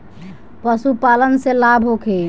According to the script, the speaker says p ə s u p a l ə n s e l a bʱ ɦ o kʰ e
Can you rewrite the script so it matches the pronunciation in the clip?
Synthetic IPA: p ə s u p a l ə n s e l a bʱ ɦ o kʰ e